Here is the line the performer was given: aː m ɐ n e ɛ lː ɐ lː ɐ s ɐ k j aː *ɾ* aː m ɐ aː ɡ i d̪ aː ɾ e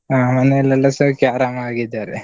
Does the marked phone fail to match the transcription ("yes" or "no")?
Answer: no